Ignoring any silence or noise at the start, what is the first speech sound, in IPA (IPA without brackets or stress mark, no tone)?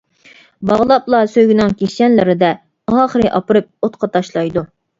b